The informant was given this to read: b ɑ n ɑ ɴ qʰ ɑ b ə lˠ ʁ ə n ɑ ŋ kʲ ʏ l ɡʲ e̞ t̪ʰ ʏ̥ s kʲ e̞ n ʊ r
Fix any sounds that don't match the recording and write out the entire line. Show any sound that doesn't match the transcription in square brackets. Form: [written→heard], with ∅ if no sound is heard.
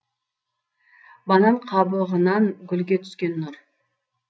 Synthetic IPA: b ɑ n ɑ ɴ qʰ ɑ b ə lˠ ʁ ə n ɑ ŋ [kʲ→ɡʲ] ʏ l ɡʲ e̞ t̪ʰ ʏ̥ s kʲ e̞ [n→nː] ʊ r